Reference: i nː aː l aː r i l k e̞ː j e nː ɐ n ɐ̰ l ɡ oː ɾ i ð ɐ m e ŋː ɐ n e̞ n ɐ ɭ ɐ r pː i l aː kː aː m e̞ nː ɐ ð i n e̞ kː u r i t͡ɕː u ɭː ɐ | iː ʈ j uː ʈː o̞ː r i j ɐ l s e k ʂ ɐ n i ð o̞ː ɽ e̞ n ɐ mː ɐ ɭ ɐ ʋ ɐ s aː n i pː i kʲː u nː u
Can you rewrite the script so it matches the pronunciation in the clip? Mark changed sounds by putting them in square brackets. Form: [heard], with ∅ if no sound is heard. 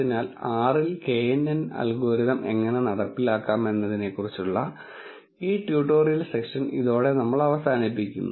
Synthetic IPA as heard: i [n] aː l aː r i l k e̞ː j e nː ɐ n ɐ̰ l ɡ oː ɾ i ð ɐ m e ŋː ɐ n e̞ n ɐ [ɽ] ɐ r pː i l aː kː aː m e̞ nː ɐ ð i n e̞ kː u r i t͡ɕː u ɭː ɐ | iː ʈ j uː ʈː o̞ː r i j ɐ l s e k ʂ ɐ n i ð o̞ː ɽ e̞ n ɐ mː ɐ ɭ ɐ ʋ ɐ s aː n i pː i kʲː u nː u